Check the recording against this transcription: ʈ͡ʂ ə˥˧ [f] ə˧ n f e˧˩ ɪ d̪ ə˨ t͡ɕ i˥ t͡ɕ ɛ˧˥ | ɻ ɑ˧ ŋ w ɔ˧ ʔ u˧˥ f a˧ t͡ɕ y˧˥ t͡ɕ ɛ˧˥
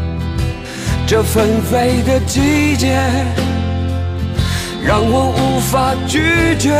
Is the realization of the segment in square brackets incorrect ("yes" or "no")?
no